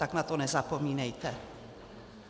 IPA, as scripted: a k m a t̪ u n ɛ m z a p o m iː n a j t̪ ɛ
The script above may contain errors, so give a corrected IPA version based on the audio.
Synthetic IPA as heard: a k n a t̪ o n ɛ z a p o m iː n ɛ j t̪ ɛ